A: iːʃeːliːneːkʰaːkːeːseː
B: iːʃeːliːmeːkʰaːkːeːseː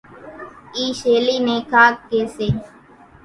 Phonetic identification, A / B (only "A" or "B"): A